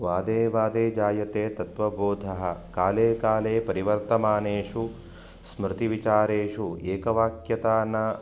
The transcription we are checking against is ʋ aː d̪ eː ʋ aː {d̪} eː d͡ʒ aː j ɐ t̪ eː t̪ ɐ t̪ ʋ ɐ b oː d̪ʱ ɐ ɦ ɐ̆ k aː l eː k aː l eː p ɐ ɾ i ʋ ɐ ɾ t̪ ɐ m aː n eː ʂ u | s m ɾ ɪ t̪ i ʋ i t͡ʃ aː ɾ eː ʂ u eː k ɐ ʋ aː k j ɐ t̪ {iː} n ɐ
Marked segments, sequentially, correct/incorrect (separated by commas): correct, incorrect